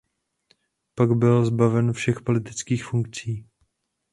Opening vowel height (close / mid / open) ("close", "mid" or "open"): open